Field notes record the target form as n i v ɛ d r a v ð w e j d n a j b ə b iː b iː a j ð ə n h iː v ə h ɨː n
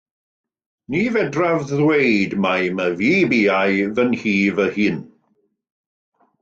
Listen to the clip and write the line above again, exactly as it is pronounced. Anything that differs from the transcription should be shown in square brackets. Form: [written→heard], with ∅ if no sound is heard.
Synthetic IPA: n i v ɛ d r a v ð w e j d [n→m] a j [b→m] ə [b→v] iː b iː a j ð ə n h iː v ə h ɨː n